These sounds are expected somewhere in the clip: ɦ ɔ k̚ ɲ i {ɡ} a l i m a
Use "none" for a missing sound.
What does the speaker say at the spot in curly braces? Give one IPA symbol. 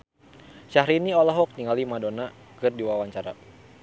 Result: ŋ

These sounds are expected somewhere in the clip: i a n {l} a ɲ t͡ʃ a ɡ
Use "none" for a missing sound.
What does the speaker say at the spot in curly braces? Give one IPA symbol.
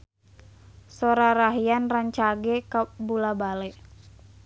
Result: r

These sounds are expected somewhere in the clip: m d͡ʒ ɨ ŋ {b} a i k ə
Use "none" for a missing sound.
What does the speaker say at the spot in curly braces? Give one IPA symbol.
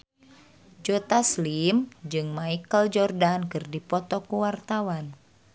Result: m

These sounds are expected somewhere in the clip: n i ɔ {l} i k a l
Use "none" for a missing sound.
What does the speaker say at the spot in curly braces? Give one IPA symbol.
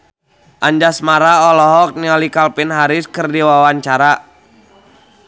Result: l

